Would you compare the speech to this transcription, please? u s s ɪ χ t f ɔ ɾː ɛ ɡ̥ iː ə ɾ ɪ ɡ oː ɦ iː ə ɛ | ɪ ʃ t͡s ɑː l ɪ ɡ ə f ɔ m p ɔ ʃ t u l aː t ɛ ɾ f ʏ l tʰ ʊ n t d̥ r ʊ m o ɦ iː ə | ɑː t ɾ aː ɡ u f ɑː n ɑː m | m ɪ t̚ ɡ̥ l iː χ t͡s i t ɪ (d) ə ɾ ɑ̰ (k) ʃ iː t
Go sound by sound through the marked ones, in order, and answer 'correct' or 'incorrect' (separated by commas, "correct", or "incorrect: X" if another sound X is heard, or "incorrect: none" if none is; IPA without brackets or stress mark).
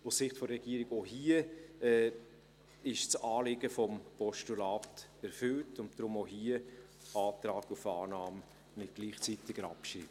incorrect: ɡ, incorrect: p